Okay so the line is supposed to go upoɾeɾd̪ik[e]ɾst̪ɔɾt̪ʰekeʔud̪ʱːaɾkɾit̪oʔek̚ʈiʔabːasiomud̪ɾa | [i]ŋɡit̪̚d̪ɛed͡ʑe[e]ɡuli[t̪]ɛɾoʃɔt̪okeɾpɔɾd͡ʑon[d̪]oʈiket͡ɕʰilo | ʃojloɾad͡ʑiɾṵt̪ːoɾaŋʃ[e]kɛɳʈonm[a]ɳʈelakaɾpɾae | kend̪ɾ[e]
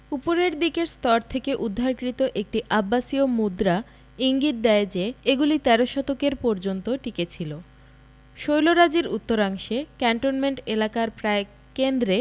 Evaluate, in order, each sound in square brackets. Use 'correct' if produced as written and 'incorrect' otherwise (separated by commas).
correct, correct, correct, correct, incorrect, correct, incorrect, correct